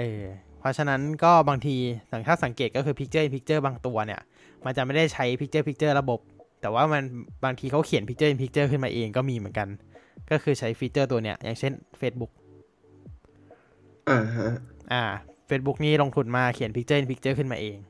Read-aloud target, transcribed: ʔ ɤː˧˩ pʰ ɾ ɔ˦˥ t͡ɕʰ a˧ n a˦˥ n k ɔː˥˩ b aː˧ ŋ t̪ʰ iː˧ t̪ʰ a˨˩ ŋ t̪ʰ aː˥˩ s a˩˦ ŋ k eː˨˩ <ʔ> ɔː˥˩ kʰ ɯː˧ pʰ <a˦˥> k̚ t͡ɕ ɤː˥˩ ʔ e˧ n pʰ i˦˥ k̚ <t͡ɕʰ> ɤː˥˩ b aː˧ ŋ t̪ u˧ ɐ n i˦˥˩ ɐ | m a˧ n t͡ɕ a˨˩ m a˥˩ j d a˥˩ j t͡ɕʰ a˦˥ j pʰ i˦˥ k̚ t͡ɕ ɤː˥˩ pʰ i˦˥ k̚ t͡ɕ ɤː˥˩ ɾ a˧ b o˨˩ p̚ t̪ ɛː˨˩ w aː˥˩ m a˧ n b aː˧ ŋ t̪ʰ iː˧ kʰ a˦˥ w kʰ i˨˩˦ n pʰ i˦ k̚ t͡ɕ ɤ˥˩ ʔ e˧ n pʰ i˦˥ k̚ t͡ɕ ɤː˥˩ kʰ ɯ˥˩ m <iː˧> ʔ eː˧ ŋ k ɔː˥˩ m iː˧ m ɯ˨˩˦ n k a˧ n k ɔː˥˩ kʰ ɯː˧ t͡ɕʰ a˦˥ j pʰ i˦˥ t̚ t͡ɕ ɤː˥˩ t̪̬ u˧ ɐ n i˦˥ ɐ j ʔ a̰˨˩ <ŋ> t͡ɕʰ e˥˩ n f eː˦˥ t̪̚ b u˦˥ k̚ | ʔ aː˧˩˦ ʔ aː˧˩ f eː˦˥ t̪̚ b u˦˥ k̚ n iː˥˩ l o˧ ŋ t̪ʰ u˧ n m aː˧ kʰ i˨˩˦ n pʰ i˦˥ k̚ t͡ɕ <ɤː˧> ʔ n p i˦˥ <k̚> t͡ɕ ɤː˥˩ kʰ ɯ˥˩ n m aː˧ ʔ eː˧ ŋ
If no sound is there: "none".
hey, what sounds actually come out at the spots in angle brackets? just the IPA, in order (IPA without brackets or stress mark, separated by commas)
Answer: k, i˦˥, t͡ɕ, aː˧, ŋ, ɤː˥˩, k̚